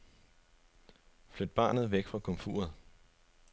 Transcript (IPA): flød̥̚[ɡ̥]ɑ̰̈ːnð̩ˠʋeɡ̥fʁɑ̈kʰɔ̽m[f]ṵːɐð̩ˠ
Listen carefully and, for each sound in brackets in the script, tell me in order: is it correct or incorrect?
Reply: incorrect, correct

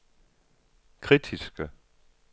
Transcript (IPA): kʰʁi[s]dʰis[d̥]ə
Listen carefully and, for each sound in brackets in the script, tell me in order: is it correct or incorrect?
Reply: incorrect, incorrect

